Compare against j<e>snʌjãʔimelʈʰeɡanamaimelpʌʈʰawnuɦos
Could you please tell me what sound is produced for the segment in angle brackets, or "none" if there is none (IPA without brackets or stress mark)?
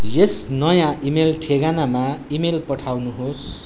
e